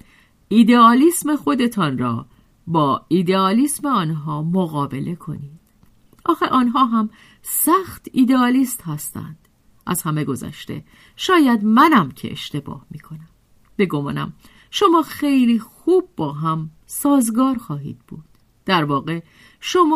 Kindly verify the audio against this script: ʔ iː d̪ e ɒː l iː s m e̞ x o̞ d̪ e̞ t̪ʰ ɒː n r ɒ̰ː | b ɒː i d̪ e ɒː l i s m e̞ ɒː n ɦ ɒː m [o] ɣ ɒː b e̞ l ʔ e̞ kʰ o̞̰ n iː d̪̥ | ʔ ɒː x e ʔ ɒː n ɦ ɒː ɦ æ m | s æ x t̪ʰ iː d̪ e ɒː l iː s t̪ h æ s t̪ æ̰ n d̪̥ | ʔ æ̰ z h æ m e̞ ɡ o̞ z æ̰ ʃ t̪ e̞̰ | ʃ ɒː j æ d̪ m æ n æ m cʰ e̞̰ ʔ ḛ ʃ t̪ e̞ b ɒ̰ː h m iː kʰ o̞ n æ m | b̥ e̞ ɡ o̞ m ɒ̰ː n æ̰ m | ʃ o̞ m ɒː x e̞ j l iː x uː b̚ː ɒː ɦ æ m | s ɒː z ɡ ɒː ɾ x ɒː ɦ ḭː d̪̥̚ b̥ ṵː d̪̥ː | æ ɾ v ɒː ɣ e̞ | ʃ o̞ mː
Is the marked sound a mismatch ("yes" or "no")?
no